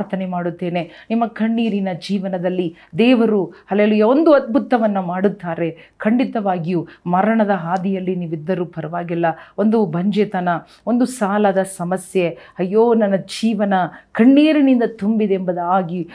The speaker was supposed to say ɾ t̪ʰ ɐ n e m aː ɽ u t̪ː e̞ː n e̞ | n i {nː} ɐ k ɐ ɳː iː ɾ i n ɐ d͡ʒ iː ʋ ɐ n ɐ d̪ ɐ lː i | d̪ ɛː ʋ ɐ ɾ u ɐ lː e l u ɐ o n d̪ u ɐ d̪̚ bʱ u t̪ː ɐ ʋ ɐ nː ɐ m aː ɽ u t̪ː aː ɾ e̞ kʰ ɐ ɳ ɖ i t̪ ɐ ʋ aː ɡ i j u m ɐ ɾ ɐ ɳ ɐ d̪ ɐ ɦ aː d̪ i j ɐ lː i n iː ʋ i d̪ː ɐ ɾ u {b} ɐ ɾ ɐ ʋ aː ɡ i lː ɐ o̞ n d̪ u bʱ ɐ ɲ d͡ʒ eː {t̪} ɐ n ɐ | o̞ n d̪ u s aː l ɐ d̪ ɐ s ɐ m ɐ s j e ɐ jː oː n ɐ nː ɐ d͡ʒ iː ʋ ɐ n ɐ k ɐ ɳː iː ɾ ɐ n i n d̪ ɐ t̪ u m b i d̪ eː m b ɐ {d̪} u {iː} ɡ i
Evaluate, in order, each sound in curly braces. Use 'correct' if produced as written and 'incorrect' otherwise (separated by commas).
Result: incorrect, incorrect, correct, correct, incorrect